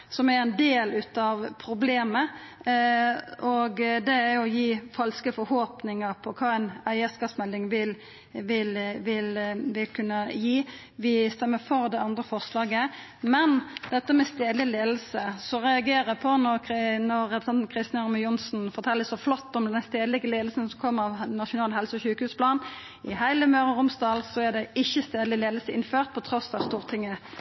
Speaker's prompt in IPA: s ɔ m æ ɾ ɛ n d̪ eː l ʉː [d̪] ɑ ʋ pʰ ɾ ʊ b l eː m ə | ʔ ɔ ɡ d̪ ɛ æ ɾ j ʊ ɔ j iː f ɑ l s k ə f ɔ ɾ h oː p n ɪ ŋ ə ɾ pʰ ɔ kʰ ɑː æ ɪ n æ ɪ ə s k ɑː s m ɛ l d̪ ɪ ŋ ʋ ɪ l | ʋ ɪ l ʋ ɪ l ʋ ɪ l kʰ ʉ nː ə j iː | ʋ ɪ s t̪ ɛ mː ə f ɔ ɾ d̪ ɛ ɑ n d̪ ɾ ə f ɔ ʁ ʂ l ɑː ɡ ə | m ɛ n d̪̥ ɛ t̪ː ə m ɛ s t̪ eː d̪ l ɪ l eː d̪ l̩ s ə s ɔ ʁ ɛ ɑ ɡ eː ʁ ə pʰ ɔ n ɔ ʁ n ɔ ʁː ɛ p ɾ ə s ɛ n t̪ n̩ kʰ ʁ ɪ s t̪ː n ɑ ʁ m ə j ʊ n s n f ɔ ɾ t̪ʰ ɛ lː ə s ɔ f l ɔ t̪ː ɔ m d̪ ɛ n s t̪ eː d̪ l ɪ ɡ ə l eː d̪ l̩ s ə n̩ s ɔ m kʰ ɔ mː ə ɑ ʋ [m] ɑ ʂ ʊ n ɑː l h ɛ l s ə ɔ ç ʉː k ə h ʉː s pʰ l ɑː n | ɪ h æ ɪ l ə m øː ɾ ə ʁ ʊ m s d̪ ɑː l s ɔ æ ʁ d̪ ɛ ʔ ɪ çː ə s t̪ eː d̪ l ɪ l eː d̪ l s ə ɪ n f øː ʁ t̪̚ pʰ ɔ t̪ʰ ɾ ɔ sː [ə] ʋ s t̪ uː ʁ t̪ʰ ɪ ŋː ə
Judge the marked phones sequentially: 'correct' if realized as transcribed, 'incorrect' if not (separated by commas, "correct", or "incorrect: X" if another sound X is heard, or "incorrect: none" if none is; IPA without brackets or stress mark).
incorrect: t̪, incorrect: n, incorrect: ɑ